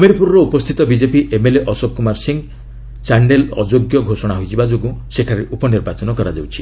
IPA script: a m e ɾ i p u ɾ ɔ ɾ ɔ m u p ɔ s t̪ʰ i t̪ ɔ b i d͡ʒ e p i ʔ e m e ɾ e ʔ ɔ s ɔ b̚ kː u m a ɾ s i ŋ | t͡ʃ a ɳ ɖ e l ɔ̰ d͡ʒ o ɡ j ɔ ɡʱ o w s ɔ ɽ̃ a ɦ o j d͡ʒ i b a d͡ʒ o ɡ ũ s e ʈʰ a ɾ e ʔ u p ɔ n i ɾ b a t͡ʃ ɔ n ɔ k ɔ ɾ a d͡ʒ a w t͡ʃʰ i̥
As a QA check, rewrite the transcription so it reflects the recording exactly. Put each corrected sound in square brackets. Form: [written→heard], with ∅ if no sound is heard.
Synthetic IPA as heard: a m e ɾ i p u ɾ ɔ ɾ ɔ [m→∅] u p ɔ s t̪ʰ i t̪ ɔ b i d͡ʒ e p i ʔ e m e [ɾ→l] e ʔ ɔ s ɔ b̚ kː u m a ɾ s i ŋ | t͡ʃ a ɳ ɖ e l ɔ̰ d͡ʒ o ɡ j ɔ ɡʱ o [w→∅] s ɔ ɽ̃ a ɦ o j d͡ʒ i b a d͡ʒ o ɡ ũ s e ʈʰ a ɾ e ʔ u p ɔ n i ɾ b a t͡ʃ ɔ n ɔ k ɔ ɾ a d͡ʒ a w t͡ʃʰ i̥